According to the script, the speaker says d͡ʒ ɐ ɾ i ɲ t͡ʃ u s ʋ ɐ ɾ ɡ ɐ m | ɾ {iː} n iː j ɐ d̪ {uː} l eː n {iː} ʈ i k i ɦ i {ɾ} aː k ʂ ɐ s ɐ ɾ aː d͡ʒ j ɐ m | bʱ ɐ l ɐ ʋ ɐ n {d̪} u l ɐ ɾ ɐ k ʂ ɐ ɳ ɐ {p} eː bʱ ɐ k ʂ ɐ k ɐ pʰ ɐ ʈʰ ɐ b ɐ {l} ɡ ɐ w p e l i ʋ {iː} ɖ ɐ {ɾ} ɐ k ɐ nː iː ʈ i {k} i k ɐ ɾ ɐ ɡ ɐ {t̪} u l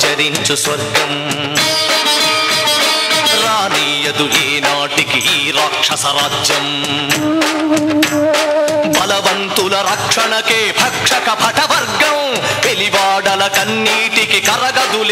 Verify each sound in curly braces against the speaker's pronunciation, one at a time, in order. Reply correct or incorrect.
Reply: incorrect, incorrect, incorrect, correct, incorrect, incorrect, incorrect, incorrect, incorrect, correct, incorrect

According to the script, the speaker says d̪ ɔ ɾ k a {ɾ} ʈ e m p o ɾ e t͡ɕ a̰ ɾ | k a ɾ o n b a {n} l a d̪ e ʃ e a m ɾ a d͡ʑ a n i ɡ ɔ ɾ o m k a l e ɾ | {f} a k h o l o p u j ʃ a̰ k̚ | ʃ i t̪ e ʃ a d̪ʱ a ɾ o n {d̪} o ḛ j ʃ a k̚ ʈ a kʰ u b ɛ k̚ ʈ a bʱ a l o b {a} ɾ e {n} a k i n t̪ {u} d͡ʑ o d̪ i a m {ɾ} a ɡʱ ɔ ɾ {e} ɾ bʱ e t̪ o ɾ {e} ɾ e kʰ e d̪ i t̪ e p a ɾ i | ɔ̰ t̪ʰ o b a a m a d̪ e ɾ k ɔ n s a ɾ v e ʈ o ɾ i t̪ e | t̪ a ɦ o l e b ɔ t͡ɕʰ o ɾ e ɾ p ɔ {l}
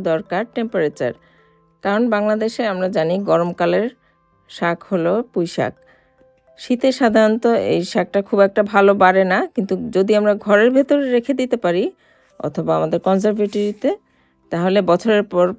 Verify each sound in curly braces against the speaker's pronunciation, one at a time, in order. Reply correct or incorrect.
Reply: correct, incorrect, incorrect, incorrect, correct, correct, correct, correct, correct, correct, incorrect

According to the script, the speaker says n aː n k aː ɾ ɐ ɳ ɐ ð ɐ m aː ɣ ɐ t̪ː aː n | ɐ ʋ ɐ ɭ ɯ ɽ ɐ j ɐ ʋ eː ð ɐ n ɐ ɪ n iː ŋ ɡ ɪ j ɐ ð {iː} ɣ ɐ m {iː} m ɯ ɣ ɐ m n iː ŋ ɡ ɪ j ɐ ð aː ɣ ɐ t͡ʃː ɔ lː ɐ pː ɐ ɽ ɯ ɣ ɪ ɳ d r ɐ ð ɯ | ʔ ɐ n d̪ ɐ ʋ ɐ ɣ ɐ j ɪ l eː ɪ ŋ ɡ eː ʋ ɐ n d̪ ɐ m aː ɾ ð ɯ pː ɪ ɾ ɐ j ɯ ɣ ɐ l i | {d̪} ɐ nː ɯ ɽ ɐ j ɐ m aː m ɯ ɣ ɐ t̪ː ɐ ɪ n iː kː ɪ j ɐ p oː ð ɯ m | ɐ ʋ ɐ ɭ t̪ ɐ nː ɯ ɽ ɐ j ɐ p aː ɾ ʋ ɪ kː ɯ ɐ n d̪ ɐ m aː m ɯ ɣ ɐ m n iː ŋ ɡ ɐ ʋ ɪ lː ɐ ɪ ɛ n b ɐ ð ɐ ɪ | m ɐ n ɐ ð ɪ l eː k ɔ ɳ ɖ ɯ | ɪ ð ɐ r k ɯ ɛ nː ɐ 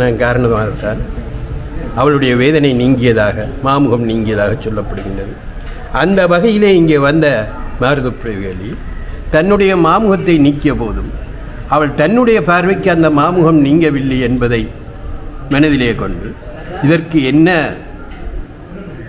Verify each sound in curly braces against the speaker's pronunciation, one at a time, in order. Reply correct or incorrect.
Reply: incorrect, incorrect, incorrect

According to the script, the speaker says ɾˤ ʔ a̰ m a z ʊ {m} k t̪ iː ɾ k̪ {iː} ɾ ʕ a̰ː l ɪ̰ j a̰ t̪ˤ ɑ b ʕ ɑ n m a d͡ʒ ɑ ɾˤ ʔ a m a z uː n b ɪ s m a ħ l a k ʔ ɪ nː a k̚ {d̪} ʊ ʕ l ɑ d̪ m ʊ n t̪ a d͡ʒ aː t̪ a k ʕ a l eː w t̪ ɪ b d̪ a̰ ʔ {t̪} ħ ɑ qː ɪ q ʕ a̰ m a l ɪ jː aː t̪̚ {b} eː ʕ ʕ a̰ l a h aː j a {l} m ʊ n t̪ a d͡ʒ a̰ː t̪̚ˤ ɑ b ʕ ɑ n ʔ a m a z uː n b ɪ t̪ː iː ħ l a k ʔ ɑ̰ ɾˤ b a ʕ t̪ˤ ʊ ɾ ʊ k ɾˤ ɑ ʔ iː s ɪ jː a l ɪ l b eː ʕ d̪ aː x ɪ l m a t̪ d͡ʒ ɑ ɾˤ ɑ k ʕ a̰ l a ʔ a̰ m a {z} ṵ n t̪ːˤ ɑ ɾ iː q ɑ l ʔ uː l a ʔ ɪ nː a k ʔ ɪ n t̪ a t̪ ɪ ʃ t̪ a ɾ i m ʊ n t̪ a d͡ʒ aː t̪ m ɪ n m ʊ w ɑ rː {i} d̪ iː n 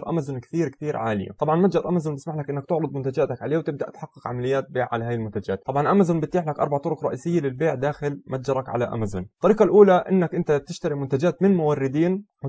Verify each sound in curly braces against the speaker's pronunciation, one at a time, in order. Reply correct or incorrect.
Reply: incorrect, correct, incorrect, correct, correct, correct, correct, incorrect

